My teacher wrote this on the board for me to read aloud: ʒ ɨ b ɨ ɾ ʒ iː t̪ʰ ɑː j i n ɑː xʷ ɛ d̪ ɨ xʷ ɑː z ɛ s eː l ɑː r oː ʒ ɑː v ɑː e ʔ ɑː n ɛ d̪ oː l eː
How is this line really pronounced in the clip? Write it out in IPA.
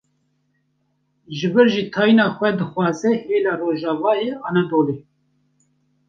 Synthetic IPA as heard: ʒ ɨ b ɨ ɾ ʒ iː t̪ʰ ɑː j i n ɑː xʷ ɛ d̪ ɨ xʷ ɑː z ɛ h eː l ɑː r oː ʒ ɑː v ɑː e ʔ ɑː n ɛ d̪ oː l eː